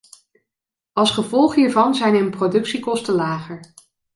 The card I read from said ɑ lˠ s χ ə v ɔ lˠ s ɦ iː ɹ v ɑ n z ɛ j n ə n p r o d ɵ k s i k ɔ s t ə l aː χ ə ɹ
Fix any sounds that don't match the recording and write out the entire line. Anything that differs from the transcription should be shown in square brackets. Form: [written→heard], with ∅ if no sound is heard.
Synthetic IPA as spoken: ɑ lˠ s χ ə v ɔ lˠ [s→χ] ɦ iː ɹ v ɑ n z ɛ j n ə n p r o d ɵ k s i k ɔ s t ə l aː χ ə ɹ